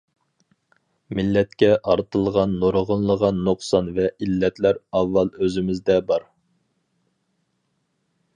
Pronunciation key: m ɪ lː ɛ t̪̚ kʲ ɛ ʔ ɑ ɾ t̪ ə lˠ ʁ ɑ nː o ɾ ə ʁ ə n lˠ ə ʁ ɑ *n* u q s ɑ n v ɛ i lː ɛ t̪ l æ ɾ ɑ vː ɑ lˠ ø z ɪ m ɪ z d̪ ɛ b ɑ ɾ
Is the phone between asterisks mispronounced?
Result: yes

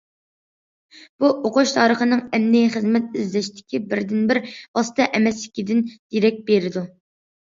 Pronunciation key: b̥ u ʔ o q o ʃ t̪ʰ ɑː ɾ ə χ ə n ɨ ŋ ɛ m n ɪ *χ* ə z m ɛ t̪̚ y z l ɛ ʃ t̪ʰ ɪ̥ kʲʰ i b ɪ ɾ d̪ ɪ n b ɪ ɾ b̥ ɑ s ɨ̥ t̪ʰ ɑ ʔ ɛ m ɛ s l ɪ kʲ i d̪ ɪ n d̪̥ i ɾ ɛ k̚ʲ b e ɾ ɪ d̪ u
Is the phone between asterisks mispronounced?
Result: no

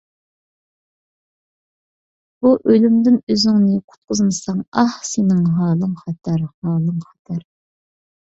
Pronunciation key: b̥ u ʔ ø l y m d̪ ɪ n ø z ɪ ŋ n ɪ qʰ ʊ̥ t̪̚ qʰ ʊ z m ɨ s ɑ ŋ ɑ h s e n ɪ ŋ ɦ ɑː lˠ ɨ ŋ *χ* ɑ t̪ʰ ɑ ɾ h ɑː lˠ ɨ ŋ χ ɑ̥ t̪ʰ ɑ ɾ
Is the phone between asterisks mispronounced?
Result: no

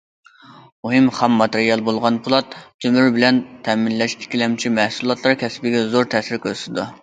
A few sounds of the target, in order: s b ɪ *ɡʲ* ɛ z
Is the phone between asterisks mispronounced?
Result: no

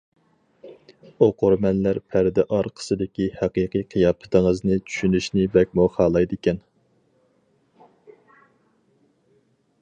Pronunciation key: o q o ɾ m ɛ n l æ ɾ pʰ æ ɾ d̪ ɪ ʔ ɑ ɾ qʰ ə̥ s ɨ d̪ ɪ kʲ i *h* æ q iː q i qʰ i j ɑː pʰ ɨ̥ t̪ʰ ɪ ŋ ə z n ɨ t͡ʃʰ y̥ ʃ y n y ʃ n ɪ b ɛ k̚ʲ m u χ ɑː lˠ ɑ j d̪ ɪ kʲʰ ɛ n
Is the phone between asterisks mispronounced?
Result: no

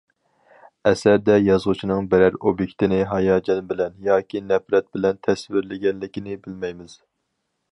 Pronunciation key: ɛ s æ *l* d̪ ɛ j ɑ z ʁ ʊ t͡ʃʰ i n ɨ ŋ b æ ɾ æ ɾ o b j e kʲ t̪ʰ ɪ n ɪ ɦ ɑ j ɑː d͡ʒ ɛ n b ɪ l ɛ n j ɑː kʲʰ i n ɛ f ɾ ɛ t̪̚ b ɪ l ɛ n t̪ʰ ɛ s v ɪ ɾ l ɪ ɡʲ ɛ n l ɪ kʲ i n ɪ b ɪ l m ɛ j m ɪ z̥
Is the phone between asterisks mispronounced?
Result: yes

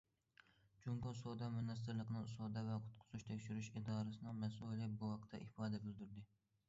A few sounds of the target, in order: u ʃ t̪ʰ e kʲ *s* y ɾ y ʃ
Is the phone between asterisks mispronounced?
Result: yes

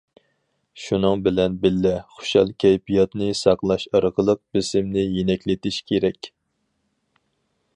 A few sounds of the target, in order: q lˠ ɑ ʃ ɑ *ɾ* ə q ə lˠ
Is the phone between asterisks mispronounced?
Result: no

